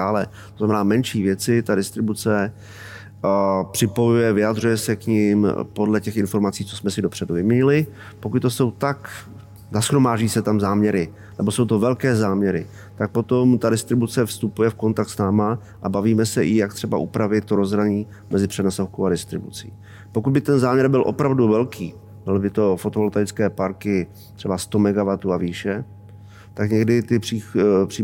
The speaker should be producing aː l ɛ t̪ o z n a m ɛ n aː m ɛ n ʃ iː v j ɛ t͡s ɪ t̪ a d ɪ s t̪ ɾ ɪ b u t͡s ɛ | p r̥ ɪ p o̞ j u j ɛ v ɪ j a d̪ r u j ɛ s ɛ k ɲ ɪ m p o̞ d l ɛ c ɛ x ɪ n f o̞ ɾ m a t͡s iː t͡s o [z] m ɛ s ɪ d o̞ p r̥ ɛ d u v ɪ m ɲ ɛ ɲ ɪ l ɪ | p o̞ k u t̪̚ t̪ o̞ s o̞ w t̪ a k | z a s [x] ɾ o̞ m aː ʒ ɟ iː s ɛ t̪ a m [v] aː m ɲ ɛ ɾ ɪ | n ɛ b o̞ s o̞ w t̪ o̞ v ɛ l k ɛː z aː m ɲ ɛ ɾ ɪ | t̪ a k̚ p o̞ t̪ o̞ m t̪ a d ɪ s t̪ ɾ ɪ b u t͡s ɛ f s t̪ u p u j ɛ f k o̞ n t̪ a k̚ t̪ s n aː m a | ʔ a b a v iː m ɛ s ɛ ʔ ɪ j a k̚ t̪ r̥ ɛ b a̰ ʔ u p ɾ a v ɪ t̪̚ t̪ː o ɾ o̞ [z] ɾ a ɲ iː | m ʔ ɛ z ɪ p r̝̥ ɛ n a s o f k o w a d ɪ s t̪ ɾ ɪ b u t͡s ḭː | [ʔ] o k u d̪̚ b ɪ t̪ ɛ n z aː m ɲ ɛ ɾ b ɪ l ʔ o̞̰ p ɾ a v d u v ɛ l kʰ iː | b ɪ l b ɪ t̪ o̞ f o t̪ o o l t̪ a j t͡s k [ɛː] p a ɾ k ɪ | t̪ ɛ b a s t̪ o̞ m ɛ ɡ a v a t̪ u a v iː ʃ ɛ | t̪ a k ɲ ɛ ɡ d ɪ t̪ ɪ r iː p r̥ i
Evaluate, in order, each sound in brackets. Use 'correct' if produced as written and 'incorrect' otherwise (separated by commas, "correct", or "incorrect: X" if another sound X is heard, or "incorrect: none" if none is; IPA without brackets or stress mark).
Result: incorrect: s, correct, incorrect: z, correct, incorrect: p, correct